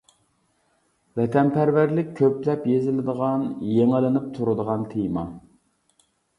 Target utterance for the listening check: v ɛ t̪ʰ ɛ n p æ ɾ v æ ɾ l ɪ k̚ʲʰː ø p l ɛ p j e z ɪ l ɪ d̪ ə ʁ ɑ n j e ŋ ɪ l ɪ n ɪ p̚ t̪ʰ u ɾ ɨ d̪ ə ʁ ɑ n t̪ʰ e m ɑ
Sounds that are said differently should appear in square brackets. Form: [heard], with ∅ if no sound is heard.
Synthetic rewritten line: v ɛ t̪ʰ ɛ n p æ ɾ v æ ɾ l ɪ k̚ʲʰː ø p l ɛ p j e z ɪ l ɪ d̪ ə ʁ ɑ n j e ŋ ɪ l ɪ n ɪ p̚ t̪ʰ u ɾ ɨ d̪ ə ʁ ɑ n t̪ʰ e m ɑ